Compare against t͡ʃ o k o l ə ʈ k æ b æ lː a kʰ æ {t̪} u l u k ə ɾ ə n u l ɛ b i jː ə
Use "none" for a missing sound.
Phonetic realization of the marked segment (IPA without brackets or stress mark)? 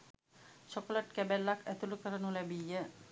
t̪